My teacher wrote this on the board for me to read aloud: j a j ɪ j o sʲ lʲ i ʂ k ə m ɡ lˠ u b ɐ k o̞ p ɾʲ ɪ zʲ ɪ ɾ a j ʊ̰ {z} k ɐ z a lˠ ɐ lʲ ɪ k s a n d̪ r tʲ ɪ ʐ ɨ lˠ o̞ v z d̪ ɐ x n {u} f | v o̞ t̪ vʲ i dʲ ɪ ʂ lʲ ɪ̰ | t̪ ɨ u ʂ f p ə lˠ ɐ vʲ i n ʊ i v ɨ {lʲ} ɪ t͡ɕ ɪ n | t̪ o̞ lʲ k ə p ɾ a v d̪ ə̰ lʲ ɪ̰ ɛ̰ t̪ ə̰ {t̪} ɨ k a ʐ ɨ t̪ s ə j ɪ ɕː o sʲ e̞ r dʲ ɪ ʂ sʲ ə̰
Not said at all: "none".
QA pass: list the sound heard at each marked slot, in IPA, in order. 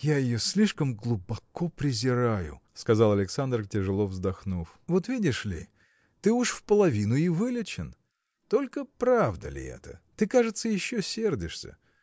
s, u, lʲ, t̪

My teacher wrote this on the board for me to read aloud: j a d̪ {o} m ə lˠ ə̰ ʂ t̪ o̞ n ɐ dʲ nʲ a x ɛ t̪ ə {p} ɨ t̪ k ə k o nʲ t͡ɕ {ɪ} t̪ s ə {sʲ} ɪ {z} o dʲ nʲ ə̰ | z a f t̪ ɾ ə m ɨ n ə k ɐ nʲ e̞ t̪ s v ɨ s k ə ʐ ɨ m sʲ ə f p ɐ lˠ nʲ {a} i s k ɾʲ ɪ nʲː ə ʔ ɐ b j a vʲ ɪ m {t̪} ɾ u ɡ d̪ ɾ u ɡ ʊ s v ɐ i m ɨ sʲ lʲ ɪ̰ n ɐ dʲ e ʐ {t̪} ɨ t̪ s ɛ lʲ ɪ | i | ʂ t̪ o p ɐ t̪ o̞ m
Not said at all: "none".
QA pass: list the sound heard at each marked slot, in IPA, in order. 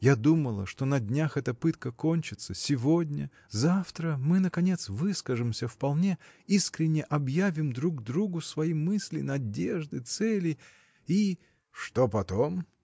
u, p, ɪ, sʲ, v, e, d̪, d̪

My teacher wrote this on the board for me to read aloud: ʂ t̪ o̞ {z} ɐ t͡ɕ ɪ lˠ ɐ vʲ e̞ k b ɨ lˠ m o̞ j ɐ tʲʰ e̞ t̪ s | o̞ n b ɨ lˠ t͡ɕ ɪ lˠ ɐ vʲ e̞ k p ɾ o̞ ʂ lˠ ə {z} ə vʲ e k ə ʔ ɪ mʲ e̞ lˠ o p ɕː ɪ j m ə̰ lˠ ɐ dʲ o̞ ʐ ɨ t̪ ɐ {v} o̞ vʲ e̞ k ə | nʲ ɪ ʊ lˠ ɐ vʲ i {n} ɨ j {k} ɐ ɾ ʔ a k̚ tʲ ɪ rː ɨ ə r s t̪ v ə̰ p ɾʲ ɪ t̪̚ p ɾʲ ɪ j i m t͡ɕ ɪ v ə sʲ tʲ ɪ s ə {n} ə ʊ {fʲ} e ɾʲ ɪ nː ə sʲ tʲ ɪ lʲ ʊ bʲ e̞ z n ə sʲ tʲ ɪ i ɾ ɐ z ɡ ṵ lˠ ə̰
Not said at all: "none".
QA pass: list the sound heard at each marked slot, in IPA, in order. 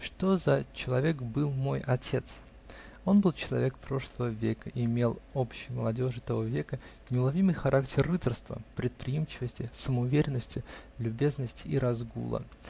z, v, v, m, x, m, vʲ

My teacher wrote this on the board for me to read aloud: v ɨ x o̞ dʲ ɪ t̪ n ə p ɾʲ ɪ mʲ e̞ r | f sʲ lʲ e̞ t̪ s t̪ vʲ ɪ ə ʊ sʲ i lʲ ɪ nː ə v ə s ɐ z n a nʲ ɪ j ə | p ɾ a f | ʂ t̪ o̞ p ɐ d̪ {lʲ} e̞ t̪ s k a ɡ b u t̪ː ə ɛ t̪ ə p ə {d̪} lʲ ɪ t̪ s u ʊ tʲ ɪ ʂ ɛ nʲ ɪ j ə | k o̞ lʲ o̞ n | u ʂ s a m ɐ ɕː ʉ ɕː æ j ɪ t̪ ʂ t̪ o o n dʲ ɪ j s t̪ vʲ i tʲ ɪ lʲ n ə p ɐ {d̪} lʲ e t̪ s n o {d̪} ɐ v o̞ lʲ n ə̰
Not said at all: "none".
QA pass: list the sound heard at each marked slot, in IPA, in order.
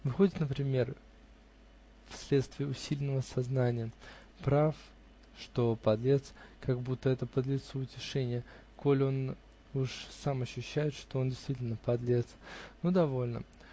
lʲ, d̪, d̪, d̪

